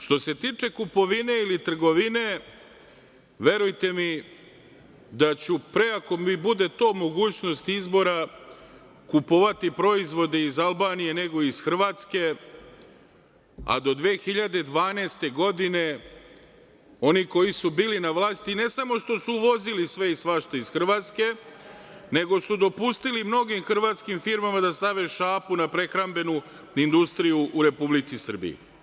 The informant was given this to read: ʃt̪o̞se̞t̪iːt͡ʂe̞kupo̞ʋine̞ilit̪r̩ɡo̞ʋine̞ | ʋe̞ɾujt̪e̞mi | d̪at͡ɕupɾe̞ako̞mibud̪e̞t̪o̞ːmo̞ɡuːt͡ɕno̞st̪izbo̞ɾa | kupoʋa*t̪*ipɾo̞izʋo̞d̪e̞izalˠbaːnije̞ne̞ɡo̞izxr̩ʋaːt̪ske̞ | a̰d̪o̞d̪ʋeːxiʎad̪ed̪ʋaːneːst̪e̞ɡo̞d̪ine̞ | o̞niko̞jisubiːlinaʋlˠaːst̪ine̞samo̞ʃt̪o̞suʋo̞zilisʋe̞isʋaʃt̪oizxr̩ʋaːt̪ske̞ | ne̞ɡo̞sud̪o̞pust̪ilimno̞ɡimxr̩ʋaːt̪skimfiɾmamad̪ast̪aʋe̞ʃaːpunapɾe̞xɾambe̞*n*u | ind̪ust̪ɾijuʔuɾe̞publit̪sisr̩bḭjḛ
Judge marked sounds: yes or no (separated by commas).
yes, yes